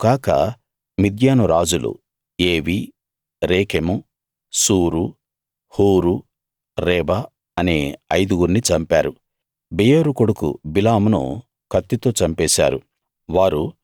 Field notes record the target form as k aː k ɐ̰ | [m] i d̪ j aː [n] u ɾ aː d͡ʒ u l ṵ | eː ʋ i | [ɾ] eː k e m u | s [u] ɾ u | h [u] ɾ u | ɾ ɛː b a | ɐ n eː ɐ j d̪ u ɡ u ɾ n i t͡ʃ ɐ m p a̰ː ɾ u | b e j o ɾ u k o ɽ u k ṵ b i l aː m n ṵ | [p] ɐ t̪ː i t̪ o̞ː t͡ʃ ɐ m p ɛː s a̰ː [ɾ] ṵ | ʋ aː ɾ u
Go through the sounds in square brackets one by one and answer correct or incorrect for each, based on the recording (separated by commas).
correct, correct, correct, incorrect, incorrect, incorrect, correct